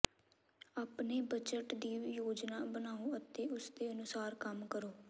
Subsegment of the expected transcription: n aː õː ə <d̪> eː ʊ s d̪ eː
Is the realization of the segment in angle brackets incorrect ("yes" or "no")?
yes